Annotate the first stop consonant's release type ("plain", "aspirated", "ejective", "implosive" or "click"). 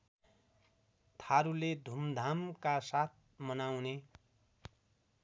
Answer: aspirated